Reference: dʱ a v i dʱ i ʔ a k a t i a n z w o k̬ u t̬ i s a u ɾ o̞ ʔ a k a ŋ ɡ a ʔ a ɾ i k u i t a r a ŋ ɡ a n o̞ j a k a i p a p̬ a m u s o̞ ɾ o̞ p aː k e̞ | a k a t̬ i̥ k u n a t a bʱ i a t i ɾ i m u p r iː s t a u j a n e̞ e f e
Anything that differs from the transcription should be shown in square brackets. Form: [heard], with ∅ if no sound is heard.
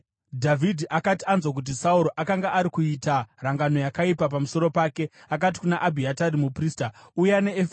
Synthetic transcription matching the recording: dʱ a v i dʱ i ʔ a k a t i a n z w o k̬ u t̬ i s a u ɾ o̞ ʔ a k a ŋ ɡ a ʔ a ɾ i k u i t a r a ŋ ɡ a n o̞ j a k a i p a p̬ a m u s o̞ ɾ o̞ p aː k e̞ | a k a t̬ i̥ k u n a [ʔ] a bʱ i a t [a] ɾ i m u p r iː s t a u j a n e̞ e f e